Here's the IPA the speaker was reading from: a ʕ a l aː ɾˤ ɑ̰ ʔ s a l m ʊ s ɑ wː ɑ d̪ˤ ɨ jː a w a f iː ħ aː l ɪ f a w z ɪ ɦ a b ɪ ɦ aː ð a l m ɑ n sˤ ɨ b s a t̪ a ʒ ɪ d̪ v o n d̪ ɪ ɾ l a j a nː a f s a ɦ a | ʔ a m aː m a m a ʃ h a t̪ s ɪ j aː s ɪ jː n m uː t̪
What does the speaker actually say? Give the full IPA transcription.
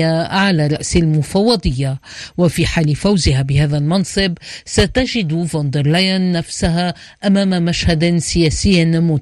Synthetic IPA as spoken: a ʕ a l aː ɾˤ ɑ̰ ʔ s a l m ʊ f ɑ wː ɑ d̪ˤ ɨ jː a w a f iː ħ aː l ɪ f a w z ɪ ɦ a b ɪ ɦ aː ð a l m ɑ n sˤ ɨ b s a t̪ a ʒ ɪ d̪ v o n d̪ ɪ ɾ l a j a nː a f s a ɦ a | ʔ a m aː m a m a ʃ h a d̪ s ɪ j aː s ɪ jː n m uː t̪